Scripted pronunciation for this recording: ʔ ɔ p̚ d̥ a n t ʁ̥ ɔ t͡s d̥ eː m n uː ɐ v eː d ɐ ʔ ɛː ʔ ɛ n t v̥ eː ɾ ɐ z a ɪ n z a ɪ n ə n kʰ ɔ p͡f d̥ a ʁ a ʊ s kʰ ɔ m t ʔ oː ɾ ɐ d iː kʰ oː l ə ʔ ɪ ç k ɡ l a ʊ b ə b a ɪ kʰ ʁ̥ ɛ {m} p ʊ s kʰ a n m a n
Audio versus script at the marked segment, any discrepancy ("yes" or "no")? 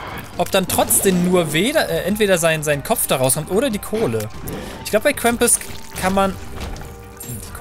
no